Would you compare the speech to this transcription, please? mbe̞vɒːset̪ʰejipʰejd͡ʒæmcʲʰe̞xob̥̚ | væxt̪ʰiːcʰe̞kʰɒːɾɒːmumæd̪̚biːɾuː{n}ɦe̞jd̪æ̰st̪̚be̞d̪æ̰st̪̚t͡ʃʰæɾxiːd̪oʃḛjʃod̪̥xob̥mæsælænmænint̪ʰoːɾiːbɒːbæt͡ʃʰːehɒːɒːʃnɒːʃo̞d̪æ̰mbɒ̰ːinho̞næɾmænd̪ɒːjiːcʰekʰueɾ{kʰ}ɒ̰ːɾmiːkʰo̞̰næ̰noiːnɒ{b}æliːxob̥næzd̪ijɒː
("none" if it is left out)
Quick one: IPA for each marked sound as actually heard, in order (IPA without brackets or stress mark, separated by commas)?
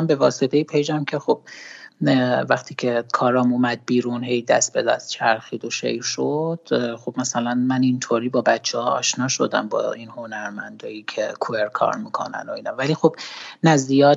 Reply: n, kʰ, v